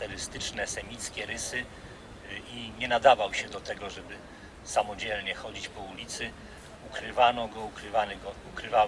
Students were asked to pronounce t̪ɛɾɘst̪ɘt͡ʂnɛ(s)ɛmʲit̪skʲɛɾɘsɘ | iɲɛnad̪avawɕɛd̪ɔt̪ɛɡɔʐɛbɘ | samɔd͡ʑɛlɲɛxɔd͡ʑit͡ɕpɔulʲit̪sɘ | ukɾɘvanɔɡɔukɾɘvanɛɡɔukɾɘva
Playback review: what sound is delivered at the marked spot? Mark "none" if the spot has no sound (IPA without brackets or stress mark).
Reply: s